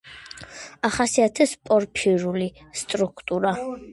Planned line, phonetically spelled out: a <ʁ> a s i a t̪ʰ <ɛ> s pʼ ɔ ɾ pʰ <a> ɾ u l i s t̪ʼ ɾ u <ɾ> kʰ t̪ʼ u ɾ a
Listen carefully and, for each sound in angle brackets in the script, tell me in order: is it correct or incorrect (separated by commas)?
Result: incorrect, correct, incorrect, incorrect